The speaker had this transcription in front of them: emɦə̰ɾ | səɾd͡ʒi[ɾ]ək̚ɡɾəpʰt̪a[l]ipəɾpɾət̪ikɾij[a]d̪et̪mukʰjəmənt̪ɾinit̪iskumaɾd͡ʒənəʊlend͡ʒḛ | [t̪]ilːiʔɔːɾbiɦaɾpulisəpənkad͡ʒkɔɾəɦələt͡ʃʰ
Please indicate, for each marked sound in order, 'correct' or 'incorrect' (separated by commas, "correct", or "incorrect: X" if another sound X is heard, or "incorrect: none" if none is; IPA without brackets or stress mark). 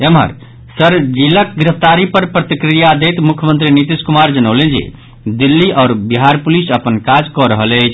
incorrect: l, incorrect: ɾ, correct, incorrect: d̪